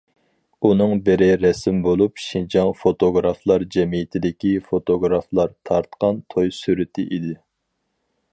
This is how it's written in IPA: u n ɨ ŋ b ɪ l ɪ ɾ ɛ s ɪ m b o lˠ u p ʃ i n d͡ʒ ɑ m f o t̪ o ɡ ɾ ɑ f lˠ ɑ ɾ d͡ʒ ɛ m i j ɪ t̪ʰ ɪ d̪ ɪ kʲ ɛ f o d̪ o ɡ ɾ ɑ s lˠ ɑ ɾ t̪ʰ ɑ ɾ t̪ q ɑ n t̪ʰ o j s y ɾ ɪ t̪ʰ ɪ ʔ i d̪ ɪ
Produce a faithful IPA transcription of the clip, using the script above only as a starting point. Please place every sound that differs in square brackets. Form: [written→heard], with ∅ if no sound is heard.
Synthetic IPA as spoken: u n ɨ ŋ b ɪ [l→ɾ] ɪ ɾ ɛ s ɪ m b o lˠ u p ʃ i n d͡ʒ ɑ [m→ŋ] f o t̪ o ɡ ɾ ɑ f lˠ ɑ ɾ d͡ʒ ɛ m i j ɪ t̪ʰ ɪ d̪ ɪ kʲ [ɛ→i] f o [d̪→t̪] o ɡ ɾ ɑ [s→f] lˠ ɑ ɾ t̪ʰ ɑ ɾ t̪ q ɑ n t̪ʰ o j s y ɾ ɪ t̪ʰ ɪ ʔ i d̪ ɪ